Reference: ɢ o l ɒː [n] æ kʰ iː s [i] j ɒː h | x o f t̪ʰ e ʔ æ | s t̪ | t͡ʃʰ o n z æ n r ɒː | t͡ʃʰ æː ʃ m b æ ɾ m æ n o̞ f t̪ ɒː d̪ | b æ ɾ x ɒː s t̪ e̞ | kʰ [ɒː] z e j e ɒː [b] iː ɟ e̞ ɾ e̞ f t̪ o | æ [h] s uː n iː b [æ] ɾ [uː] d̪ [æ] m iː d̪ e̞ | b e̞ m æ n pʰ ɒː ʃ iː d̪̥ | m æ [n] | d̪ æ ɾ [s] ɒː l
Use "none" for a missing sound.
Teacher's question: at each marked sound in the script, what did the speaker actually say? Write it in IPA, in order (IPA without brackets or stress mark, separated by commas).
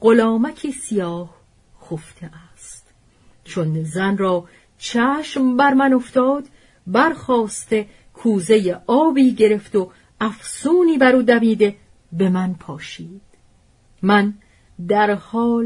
m, i, uː, b, f, æ, uː, æ, n, h